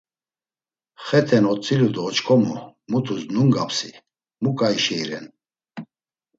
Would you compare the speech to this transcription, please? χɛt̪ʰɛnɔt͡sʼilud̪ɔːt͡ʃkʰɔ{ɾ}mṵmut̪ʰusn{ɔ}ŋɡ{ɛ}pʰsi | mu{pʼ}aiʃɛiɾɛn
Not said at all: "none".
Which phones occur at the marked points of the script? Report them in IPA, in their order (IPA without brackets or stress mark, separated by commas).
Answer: none, u, a, kʼ